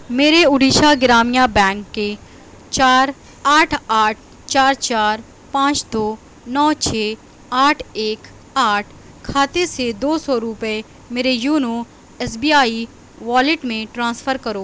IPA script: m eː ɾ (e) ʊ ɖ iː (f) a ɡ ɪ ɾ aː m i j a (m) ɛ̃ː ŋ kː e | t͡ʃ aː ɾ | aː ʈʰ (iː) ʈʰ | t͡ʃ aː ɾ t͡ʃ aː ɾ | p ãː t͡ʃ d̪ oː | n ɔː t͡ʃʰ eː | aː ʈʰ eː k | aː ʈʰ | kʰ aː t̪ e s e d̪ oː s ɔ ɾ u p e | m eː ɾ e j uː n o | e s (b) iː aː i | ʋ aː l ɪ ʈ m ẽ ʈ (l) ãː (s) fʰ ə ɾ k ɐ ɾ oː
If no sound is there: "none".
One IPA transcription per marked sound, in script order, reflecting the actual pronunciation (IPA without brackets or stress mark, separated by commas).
e, ʃ, b, aː, b, ɾ, s